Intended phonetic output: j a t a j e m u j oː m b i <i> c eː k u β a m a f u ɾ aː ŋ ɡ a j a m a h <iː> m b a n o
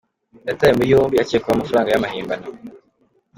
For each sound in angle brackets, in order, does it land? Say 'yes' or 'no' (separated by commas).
no, yes